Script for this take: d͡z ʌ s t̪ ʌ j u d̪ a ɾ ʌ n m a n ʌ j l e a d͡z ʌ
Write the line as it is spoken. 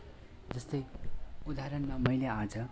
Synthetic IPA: d͡z ʌ s t̪ ʌ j u d̪ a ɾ ʌ n m a m ʌ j l e a d͡z ʌ